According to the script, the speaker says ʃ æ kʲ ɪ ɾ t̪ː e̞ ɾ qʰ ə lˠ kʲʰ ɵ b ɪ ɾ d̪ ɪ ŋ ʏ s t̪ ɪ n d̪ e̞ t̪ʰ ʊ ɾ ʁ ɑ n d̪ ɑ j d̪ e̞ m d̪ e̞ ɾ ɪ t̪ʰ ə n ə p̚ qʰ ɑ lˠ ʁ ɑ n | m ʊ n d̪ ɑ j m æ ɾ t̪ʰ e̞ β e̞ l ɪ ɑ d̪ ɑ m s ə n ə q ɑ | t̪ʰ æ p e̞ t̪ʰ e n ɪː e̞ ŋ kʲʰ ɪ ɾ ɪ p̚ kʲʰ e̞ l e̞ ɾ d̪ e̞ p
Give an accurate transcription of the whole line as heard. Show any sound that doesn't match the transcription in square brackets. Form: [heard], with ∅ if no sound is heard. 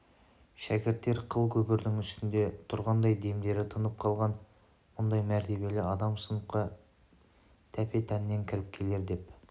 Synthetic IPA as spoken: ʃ æ kʲ ɪ ɾ t̪ː e̞ ɾ qʰ ə lˠ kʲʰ ɵ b ɪ ɾ d̪ ɪ ŋ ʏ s t̪ ɪ n d̪ e̞ t̪ʰ ʊ ɾ ʁ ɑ n d̪ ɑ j d̪ e̞ m d̪ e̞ ɾ ɪ t̪ʰ ə n ə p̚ qʰ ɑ lˠ ʁ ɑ n | m ʊ n d̪ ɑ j m æ ɾ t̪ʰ e̞ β e̞ l ɪ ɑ d̪ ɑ m s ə n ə q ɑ | t̪ʰ æ p e̞ t̪ʰ [æ] n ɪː e̞ ŋ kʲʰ ɪ ɾ ɪ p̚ kʲʰ e̞ l e̞ ɾ d̪ e̞ p